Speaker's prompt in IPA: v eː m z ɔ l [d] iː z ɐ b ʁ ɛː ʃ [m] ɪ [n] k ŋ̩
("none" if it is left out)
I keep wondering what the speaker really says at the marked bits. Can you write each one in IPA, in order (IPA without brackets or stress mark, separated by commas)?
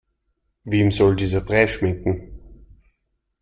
d, m, ŋ